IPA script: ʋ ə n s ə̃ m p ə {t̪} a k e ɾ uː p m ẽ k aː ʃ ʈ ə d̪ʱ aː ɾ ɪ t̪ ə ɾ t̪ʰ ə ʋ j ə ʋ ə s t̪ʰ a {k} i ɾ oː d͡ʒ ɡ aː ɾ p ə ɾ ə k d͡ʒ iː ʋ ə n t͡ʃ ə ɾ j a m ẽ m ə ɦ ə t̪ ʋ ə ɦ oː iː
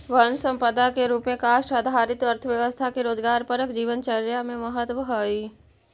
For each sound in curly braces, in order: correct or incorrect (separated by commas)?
incorrect, correct